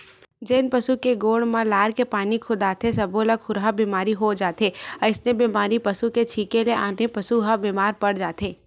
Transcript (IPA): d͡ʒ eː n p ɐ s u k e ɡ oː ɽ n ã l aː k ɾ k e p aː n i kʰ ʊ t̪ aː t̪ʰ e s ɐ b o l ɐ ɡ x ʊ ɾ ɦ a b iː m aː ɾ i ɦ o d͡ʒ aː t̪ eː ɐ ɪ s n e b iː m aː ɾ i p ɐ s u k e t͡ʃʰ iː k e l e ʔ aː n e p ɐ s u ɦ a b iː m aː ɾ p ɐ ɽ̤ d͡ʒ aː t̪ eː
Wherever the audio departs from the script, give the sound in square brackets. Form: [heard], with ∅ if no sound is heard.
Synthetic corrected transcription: d͡ʒ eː n p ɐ s u k e ɡ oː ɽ [m] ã l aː [∅] ɾ k e p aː n i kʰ ʊ [d̪] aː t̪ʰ e s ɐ b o l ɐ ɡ x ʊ ɾ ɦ a b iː m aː ɾ i ɦ o d͡ʒ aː t̪ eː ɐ ɪ s n e b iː m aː ɾ i p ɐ s u k e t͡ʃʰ iː k e l e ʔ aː n e p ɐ s u ɦ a b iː m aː ɾ p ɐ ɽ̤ d͡ʒ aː t̪ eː